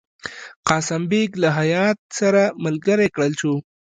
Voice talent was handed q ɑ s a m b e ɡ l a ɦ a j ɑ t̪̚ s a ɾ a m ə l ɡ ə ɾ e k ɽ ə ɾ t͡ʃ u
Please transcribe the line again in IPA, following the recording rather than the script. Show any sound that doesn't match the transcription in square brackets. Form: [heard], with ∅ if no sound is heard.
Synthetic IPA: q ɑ s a m b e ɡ l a ɦ a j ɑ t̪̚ s a ɾ a m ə l ɡ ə ɾ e k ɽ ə [l] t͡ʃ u